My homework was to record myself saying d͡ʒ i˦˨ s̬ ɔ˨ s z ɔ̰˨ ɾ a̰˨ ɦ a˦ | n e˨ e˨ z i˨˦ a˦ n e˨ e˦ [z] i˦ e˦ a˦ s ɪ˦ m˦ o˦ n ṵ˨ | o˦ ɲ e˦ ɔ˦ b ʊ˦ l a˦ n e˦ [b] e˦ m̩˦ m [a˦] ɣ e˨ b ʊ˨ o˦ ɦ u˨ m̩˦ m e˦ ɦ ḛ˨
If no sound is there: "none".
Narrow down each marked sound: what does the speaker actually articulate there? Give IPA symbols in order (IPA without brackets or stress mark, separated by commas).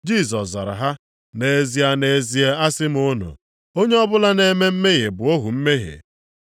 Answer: z, m, e˦